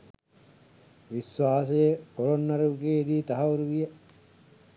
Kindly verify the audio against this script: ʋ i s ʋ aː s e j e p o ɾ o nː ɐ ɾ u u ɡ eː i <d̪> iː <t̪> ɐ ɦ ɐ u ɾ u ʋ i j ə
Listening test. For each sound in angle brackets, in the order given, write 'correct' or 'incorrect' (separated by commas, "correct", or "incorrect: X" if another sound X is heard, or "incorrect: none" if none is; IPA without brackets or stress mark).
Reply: correct, correct